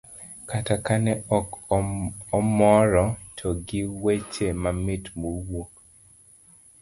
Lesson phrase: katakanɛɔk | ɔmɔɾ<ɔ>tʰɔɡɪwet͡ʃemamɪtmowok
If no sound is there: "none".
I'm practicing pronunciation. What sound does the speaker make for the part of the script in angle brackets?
ɔ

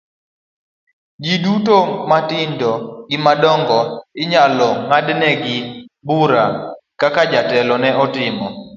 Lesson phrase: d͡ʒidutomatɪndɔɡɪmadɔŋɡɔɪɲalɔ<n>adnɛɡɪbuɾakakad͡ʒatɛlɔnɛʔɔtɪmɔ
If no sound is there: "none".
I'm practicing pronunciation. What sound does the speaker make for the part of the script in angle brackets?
ŋ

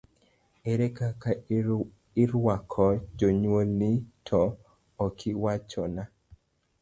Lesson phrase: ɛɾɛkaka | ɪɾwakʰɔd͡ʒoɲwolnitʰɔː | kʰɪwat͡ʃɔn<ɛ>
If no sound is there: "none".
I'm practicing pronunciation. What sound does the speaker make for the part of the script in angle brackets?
a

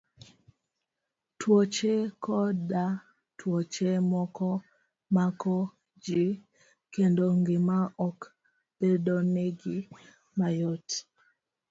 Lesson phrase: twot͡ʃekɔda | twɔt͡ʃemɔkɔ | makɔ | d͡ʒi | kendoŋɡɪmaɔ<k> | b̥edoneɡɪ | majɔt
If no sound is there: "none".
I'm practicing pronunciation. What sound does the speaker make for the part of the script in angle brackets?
k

